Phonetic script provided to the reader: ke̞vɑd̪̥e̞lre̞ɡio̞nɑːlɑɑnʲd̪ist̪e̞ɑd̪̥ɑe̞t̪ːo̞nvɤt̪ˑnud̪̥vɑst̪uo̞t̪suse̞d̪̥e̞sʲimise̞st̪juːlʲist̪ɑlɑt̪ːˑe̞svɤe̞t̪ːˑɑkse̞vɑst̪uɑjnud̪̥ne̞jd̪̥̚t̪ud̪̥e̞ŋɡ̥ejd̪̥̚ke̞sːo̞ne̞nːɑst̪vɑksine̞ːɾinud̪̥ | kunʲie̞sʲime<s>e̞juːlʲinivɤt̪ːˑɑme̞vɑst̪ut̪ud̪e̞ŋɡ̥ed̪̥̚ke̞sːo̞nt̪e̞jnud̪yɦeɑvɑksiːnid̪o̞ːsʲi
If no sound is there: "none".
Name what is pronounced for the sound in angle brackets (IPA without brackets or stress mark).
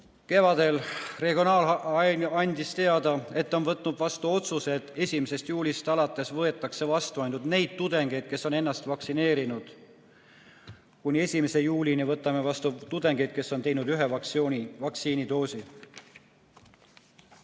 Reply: s